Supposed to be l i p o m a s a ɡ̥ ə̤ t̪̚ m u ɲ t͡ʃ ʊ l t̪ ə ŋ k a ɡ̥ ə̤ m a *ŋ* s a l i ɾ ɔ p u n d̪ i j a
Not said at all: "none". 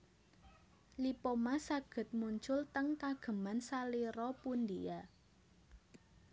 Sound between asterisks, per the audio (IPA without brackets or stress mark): n